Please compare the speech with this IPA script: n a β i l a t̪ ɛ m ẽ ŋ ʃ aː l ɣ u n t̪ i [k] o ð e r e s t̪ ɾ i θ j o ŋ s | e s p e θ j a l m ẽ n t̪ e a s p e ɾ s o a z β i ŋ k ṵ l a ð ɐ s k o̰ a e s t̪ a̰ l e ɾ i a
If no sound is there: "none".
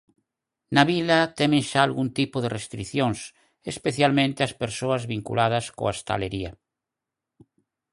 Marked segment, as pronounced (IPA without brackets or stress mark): p